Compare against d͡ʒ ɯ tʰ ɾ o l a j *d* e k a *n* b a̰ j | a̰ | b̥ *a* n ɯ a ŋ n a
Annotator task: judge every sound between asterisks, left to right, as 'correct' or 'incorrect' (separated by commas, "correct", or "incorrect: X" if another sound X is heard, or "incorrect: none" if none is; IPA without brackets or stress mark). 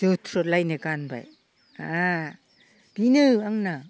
incorrect: n, correct, incorrect: i